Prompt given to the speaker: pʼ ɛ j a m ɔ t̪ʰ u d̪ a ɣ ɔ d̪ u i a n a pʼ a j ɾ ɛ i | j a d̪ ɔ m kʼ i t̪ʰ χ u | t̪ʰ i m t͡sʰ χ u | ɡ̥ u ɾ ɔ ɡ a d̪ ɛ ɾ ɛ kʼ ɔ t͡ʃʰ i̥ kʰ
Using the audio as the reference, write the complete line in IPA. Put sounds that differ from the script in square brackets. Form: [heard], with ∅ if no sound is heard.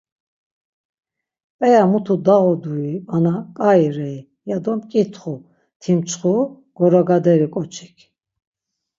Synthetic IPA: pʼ ɛ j a m [u] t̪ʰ u d̪ a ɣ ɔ d̪ u i a n a [kʼ] a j ɾ ɛ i | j a d̪ ɔ m kʼ i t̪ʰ χ u | t̪ʰ i m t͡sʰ χ u | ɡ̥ [ɔ] ɾ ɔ ɡ a d̪ ɛ ɾ [i] kʼ ɔ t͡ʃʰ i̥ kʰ